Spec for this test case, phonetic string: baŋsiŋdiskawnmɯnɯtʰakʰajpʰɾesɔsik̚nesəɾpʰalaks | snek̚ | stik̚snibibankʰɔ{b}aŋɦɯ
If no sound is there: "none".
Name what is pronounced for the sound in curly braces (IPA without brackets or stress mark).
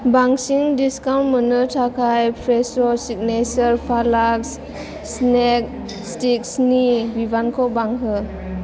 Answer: b